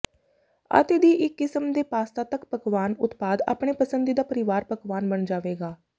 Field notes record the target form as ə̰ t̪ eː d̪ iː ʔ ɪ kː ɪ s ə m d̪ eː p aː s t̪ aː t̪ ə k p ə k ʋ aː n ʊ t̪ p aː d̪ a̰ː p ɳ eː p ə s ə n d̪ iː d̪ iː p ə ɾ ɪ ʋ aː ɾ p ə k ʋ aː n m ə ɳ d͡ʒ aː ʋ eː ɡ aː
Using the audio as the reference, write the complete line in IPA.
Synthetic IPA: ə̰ t̪ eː d̪ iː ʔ ɪ kː ɪ s ə m d̪ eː p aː s t̪ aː t̪ ə k p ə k ʋ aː n ʊ t̪ p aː d̪ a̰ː p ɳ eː p ə s ə n d̪ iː d̪ aː p ə ɾ ɪ ʋ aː ɾ p ə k ʋ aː n b ə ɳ d͡ʒ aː ʋ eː ɡ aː